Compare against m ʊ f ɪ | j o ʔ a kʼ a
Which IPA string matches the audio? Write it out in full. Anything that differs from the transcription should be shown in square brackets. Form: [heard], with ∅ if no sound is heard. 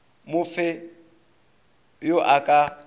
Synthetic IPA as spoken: m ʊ f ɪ | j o ʔ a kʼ a